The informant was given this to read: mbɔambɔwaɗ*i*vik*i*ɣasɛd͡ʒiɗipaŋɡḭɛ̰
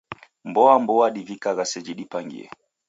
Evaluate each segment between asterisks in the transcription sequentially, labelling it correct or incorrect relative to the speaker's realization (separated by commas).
correct, incorrect